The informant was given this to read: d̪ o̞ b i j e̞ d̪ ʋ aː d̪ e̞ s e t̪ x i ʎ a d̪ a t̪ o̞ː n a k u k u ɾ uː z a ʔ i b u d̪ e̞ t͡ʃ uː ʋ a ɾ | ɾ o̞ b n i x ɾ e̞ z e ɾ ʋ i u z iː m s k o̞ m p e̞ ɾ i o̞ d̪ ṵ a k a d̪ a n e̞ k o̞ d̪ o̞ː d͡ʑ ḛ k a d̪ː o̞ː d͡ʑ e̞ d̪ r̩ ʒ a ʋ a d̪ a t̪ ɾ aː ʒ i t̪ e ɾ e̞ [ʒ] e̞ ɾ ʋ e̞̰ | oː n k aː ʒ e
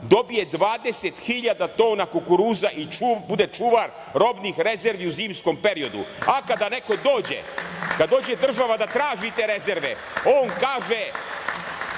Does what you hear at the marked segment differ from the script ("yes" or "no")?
yes